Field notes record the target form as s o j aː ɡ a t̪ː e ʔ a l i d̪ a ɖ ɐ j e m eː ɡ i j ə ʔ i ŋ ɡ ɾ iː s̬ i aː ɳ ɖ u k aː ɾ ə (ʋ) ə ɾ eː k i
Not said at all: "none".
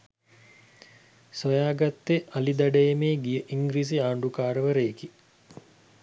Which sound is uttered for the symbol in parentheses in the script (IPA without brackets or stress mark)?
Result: ʋ